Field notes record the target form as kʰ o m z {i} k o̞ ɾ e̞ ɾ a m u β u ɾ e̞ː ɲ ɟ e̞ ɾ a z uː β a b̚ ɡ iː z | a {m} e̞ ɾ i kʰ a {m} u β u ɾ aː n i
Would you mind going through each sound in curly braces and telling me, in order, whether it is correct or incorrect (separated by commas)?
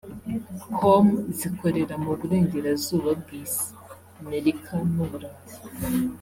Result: correct, correct, incorrect